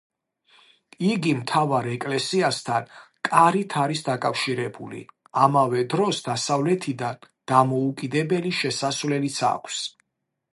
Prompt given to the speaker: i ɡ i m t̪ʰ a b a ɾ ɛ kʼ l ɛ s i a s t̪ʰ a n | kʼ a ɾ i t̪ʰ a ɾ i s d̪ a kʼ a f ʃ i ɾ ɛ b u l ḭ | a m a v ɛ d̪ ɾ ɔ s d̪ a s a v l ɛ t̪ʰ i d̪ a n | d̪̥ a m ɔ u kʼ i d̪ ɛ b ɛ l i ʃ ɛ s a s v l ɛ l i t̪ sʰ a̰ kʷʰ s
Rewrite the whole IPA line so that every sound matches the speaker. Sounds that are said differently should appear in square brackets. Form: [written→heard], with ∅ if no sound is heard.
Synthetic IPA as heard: i ɡ i m t̪ʰ a [b→v] a ɾ ɛ kʼ l ɛ s i a s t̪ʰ a n | kʼ a ɾ i t̪ʰ a ɾ i s d̪ a kʼ a f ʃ i ɾ ɛ b u l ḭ | a m a v ɛ d̪ ɾ ɔ s d̪ a s a v l ɛ t̪ʰ i d̪ a n | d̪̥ a m ɔ u kʼ i d̪ ɛ b ɛ l i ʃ ɛ s a s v l ɛ l i t̪ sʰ a̰ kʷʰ s